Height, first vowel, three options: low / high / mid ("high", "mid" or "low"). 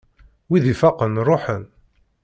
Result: high